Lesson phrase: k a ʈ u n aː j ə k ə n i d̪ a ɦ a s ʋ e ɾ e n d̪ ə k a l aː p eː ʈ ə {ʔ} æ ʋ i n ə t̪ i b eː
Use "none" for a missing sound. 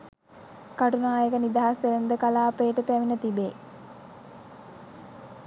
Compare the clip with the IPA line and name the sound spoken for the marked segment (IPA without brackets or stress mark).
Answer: p